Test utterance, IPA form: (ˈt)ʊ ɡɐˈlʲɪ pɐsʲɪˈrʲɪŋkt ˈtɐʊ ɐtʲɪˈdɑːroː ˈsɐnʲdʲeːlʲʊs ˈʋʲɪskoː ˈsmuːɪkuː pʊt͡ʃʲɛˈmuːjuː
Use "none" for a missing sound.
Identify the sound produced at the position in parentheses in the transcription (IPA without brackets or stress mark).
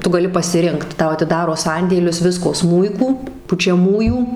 t